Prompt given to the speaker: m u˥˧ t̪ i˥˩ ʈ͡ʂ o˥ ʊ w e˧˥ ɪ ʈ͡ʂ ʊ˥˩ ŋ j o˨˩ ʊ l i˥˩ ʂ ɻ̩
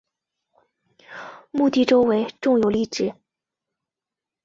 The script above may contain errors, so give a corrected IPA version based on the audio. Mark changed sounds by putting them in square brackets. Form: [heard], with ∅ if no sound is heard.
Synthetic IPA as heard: m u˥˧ t̪ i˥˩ ʈ͡ʂ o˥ ʊ w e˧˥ ɪ ʈ͡ʂ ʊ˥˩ ŋ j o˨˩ ʊ l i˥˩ [ʈ͡ʂ] ɻ̩